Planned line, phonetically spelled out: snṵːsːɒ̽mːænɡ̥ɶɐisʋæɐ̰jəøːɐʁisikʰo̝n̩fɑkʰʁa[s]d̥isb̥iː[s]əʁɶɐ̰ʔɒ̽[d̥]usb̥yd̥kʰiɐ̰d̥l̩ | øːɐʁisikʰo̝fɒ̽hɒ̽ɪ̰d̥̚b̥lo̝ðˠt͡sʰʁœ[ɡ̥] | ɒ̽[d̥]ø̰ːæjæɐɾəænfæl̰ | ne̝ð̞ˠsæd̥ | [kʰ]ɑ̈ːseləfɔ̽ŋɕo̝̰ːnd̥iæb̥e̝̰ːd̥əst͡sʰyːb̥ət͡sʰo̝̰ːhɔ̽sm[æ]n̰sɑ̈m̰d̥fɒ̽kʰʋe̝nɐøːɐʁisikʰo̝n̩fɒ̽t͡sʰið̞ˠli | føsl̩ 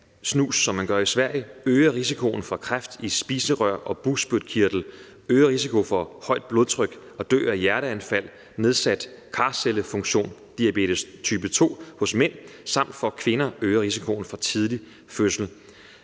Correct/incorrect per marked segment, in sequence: incorrect: f, correct, incorrect: b̥, correct, correct, correct, incorrect: e

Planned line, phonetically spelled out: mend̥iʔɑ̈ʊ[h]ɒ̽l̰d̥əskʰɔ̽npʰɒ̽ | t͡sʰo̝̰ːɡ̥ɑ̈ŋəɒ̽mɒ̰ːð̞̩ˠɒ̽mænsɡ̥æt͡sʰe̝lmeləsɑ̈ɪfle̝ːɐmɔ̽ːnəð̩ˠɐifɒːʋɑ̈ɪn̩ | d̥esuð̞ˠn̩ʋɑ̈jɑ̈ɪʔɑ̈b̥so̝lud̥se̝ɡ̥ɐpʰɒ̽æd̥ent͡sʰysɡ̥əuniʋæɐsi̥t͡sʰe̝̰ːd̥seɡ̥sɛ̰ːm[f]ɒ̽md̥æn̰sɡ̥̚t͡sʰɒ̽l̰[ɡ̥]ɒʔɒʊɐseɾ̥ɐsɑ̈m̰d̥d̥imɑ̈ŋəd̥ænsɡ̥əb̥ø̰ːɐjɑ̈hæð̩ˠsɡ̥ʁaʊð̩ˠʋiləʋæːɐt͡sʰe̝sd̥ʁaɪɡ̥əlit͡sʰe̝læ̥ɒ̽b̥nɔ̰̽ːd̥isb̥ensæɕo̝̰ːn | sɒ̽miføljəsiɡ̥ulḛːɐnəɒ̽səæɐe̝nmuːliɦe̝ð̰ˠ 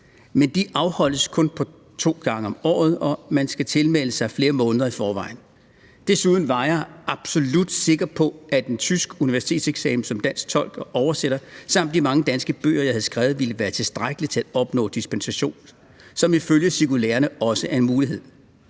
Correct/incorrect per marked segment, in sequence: correct, incorrect: s, correct

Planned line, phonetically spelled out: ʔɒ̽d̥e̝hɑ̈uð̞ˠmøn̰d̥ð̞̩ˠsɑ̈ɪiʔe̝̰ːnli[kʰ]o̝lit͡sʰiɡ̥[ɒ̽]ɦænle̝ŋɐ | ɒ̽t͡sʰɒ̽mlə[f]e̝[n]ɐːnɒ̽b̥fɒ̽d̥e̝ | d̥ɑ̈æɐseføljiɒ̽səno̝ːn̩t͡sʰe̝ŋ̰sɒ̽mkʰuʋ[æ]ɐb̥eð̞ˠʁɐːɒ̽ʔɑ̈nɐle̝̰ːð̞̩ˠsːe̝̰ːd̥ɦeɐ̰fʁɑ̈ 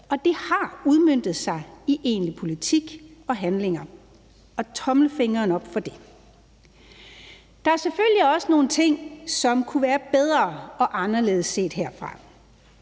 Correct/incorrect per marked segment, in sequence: incorrect: pʰ, correct, correct, incorrect: ŋ, incorrect: æː

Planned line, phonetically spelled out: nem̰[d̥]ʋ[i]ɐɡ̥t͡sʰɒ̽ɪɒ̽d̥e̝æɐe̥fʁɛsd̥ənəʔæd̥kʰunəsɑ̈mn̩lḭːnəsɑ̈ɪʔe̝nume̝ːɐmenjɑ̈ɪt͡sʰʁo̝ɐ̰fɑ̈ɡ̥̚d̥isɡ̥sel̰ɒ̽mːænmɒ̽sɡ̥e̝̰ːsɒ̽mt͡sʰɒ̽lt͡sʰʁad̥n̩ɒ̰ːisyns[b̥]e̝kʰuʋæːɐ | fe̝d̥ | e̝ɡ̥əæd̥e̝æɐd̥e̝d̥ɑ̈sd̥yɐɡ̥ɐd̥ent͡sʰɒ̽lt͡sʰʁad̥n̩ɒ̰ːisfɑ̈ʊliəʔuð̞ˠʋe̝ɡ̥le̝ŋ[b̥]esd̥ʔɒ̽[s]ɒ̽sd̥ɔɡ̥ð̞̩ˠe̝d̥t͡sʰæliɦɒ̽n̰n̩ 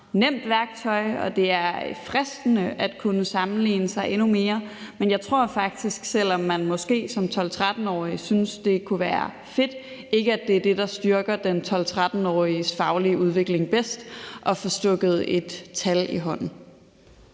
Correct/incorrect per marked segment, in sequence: correct, incorrect: æ, incorrect: d̥, correct, incorrect: f

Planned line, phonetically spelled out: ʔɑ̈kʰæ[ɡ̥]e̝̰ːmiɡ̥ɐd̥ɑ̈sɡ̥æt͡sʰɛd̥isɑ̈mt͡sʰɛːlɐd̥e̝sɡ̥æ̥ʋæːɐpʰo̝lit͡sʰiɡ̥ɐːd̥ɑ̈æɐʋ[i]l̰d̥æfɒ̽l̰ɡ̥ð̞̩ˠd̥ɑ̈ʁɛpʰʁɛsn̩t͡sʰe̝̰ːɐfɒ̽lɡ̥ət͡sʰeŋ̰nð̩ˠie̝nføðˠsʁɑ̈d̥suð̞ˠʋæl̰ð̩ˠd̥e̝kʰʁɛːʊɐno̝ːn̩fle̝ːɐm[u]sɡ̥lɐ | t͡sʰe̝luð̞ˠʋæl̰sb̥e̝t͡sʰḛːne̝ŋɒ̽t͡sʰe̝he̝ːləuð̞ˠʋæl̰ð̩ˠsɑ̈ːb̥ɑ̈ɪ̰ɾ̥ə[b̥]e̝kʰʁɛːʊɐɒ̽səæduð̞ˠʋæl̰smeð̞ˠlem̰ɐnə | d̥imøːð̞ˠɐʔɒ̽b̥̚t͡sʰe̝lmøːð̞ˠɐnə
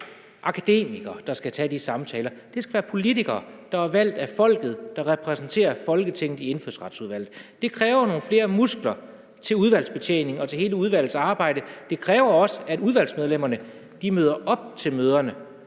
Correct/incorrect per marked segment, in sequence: incorrect: d̥, incorrect: æ, correct, incorrect: d̥

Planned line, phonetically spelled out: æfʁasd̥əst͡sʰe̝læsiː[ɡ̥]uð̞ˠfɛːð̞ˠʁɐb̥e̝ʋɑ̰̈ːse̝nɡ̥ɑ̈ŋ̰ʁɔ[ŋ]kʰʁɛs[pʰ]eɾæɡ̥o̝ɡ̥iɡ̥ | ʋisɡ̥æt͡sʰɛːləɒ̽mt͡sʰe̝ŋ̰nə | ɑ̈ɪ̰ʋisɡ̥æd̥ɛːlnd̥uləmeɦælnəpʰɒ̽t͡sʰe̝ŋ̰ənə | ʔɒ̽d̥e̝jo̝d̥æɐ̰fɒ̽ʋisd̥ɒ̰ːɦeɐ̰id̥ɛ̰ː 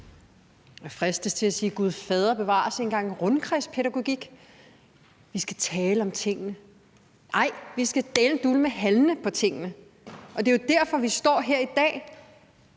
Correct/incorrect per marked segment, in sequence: correct, incorrect: n, correct

